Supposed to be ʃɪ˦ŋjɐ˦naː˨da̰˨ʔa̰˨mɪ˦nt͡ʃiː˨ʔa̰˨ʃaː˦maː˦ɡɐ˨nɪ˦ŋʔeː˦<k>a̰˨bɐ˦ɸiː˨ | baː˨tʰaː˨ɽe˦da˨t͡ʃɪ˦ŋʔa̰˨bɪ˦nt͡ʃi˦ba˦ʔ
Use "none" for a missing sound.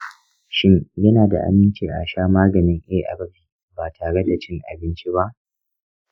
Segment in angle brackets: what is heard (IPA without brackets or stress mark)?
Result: ʔ